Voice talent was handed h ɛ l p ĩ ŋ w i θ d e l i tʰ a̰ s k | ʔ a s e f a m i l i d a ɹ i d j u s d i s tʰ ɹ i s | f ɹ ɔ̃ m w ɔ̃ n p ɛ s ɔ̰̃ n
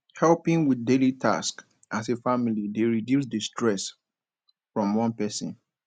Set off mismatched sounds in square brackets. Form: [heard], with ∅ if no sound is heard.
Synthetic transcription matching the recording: h ɛ l p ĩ ŋ w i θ d e l i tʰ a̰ s k | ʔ a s e f a m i l i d [e] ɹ i d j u s d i s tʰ ɹ [ɛ] s | f ɹ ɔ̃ m w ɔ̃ n p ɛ s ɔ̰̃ n

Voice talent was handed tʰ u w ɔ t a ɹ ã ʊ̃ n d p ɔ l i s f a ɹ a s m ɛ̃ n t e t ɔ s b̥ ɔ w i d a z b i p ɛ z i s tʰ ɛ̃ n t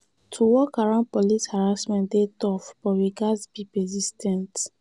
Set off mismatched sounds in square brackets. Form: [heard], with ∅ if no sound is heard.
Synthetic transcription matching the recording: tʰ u w ɔ [k] a ɹ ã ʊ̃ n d p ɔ l i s [h] a ɹ a s m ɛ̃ n [d] e t ɔ [f] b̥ ɔ w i [ɡ] a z b i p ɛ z i s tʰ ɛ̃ n t

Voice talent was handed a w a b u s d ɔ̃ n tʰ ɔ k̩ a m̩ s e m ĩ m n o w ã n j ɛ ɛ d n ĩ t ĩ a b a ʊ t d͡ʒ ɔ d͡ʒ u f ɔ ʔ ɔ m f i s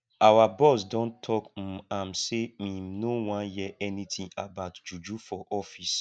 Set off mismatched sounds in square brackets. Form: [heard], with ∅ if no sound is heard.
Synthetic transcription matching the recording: a w a b [ɔ] s d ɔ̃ n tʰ ɔ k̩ a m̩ s e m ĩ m n o w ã n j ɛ ɛ [∅] n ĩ t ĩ a b a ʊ t d͡ʒ [u] d͡ʒ u f ɔ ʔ ɔ [∅] f i s

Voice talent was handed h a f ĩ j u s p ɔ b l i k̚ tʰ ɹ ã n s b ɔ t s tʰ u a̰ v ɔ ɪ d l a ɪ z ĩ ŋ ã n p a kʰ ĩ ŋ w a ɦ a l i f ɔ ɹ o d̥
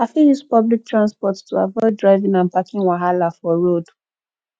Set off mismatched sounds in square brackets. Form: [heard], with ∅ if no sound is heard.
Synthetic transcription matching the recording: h a f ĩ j u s p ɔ b l i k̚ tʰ ɹ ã n s [p] ɔ t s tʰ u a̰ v ɔ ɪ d [ɹ] a ɪ [v] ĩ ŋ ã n p a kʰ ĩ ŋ w a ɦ a l [a] f ɔ ɹ o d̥

